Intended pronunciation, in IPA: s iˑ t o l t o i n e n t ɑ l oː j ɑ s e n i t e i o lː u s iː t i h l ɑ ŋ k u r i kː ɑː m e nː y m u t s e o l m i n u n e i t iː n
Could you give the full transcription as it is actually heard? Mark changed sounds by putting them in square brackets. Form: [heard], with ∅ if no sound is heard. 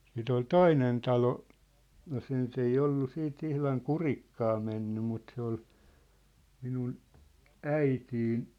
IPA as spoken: s iˑ t o l t o i n e n t ɑ l [o] j ɑ s e n [y] t e i o lː u s iː t i h l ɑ ŋ k u r i kː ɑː m e nː y m u t s e o l m i n u n [æ] i t iː n